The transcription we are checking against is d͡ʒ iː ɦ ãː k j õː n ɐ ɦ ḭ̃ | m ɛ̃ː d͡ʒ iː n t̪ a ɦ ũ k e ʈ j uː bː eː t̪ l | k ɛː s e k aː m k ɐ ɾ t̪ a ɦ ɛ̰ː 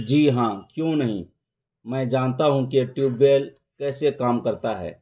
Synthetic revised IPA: d͡ʒ iː ɦ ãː k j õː n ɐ ɦ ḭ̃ | m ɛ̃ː d͡ʒ aː n t̪ a ɦ ũ k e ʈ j uː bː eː l | k ɛː s e k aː m k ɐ ɾ t̪ a ɦ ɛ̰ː